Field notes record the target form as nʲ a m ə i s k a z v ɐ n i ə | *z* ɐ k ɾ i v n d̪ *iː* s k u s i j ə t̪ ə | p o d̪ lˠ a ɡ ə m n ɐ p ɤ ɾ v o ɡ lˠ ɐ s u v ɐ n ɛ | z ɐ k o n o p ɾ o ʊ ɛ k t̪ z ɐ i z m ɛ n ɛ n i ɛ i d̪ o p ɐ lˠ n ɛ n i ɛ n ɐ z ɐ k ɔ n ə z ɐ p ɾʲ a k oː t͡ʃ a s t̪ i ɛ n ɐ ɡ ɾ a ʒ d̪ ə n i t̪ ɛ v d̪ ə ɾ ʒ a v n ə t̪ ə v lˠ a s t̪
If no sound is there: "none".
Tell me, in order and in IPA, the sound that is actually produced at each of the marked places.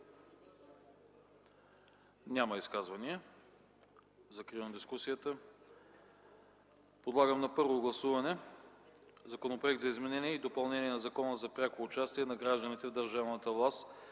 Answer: z, i

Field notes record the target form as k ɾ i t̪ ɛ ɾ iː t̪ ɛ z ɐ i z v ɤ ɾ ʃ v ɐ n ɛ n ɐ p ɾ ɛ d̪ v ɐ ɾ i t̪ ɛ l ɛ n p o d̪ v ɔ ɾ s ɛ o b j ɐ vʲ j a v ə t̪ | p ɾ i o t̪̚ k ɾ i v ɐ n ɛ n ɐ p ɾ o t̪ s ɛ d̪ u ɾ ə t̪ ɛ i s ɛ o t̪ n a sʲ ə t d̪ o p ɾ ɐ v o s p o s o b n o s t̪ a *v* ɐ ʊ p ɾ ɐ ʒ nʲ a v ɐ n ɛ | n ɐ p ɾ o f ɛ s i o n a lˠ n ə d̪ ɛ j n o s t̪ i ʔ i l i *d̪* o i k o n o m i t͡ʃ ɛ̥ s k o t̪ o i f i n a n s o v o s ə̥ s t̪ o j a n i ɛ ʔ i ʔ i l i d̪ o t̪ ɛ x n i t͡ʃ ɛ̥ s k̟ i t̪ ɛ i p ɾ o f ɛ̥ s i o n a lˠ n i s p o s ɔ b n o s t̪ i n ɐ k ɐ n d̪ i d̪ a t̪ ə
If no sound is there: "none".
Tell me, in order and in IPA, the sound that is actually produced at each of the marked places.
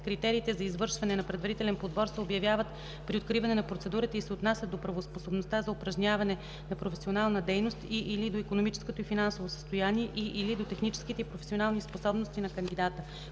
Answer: z, d̪

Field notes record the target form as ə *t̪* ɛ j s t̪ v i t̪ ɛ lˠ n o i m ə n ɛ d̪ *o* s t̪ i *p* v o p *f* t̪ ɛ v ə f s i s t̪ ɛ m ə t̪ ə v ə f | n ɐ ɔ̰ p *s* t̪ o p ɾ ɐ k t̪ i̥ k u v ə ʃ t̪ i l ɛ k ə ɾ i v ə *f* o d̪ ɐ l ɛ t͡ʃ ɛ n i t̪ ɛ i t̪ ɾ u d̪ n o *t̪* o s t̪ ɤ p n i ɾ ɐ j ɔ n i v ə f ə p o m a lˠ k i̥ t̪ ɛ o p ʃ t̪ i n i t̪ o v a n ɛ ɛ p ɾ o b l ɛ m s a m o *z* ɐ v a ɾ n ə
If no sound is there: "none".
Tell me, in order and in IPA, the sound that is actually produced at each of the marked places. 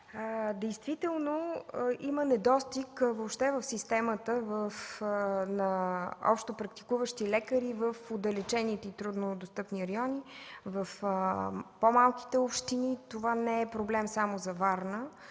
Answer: d̪, ɔ, k, ʃ, ʃ, f, d̪, z

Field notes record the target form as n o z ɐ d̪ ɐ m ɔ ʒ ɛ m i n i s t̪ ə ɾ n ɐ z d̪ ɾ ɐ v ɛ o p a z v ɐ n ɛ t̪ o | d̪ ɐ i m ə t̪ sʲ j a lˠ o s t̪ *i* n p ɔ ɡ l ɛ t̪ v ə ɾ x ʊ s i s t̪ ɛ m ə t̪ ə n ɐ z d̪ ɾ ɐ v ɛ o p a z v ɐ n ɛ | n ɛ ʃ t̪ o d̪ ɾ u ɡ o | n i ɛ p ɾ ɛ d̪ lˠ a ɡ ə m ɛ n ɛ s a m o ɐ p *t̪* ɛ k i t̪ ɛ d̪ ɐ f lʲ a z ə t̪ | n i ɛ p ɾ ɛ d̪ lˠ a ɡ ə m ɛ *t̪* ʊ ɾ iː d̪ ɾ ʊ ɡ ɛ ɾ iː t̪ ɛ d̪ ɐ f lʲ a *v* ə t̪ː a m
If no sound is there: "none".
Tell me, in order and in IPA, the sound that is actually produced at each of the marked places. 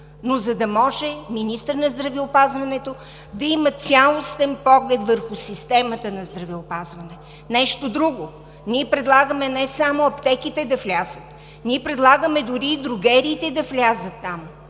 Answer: ɛ, t̪, d̪, z

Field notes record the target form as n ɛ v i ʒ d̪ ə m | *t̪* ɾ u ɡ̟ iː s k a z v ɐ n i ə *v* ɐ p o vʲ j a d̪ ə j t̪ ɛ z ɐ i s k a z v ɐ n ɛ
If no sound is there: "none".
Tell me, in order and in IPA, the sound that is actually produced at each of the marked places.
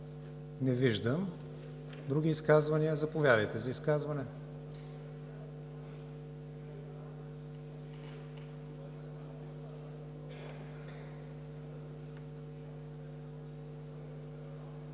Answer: d̪, z

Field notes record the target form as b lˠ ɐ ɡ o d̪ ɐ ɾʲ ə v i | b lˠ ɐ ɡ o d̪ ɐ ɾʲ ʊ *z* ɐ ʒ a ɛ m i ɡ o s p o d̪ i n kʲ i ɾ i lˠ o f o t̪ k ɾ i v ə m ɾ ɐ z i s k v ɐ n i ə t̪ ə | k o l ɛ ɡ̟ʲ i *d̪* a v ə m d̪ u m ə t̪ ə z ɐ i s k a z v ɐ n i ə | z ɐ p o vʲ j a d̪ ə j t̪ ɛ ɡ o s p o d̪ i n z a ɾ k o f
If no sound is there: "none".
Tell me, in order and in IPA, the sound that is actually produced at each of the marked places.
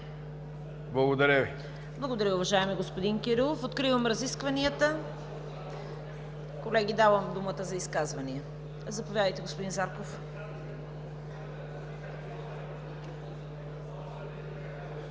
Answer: v, d̪

